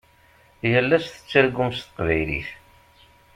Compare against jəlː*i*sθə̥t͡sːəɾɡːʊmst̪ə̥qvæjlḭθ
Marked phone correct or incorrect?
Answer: incorrect